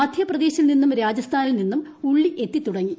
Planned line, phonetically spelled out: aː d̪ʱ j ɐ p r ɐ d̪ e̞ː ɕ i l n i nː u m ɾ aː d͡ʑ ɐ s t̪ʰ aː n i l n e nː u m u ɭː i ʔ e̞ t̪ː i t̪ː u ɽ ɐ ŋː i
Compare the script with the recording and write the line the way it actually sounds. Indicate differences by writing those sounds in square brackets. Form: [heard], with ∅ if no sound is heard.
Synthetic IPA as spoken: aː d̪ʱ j ɐ p r ɐ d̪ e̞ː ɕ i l n i nː u m ɾ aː d͡ʑ ɐ s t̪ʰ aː n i l n [i] nː u m u ɭː i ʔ e̞ t̪ː i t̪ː u ɽ ɐ ŋː i

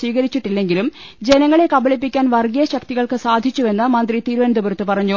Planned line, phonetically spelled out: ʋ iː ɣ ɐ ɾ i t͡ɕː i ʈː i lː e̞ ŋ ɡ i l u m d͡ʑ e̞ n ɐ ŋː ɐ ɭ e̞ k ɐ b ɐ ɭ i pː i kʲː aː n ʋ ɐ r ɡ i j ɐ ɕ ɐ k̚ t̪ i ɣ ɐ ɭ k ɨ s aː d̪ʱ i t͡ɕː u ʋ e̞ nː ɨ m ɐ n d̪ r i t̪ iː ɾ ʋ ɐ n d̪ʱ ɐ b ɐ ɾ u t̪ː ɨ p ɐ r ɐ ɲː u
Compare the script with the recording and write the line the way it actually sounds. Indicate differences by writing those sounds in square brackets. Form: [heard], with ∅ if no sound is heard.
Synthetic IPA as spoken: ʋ iː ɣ ɐ ɾ i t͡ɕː i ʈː i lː e̞ ŋ ɡ i l u m d͡ʑ e̞ n ɐ ŋː ɐ ɭ e̞ k ɐ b ɐ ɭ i pː i kʲː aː n ʋ ɐ r ɡ i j ɐ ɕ ɐ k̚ t̪ i ɣ ɐ ɭ k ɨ s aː d̪ʱ i t͡ɕː u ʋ e̞ nː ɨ m ɐ n d̪ r i t̪ iː ɾ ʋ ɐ n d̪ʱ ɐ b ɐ ɾ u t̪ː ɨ p ɐ r ɐ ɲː u

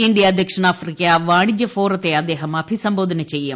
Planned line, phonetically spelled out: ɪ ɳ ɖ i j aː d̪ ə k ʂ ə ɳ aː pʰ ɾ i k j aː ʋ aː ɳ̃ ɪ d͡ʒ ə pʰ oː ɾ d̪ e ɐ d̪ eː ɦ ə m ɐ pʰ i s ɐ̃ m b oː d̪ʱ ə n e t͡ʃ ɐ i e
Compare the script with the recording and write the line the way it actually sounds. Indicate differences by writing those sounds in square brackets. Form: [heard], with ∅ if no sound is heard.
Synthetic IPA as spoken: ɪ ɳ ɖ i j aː d̪ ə k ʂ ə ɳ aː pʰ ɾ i k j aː ʋ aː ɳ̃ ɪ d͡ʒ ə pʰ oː ɾ [t̪] e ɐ d̪ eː ɦ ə m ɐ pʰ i s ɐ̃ m b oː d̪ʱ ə n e t͡ʃ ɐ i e

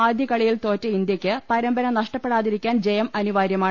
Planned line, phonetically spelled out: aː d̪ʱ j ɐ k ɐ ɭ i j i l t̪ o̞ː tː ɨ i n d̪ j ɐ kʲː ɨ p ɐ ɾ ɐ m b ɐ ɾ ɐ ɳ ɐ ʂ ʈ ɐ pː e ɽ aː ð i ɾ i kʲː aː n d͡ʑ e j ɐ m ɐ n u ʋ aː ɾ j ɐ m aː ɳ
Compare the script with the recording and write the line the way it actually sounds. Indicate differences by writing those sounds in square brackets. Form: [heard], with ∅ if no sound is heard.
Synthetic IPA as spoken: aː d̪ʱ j ɐ k ɐ ɭ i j i l t̪ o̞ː tː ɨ i n d̪ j ɐ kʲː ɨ p ɐ ɾ ɐ m b ɐ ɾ ɐ [n] ɐ ʂ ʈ ɐ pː e ɽ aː ð i ɾ i kʲː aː n d͡ʑ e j ɐ m ɐ n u ʋ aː ɾ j ɐ m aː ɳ

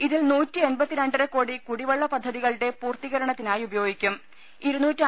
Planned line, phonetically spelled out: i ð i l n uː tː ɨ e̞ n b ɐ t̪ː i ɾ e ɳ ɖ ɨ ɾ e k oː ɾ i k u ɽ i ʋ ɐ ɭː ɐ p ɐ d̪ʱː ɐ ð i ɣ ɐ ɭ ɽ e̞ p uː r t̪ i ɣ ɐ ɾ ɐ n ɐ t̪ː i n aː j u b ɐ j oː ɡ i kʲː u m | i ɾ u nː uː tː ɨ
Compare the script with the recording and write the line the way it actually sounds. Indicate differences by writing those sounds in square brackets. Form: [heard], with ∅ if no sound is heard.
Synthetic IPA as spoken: i ð i l n uː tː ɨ e̞ n b ɐ t̪ː i ɾ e ɳ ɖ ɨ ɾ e k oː [ɽ] i k u ɽ i ʋ ɐ ɭː ɐ p ɐ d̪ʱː ɐ ð i ɣ ɐ ɭ ɽ e̞ p uː r t̪ i ɣ ɐ ɾ ɐ [ɳ] ɐ t̪ː i n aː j u b ɐ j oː ɡ i kʲː u m | i ɾ u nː uː tː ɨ

